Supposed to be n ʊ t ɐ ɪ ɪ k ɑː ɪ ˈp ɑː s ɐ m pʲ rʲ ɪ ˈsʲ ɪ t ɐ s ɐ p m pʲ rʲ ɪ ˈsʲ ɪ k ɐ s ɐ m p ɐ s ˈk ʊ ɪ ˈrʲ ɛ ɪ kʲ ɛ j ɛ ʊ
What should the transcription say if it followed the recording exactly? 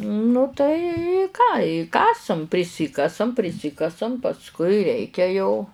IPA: n ʊ t ɐ ɪ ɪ k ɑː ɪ ˈk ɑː s ɐ m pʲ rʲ ɪ ˈsʲ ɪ k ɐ s ɐ m pʲ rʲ ɪ ˈsʲ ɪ k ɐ s ɐ m p ɐ s ˈk ʊ ɪ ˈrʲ ɛ ɪ kʲ ɛ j ɛ ʊ